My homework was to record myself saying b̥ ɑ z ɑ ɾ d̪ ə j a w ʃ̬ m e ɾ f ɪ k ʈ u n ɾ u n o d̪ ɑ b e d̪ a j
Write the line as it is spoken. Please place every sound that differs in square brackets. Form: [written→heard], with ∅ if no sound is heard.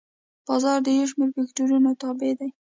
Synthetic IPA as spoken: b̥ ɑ z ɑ ɾ d̪ ə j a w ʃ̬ m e ɾ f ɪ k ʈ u [n→∅] ɾ u n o [d̪→t̪] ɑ b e d̪ a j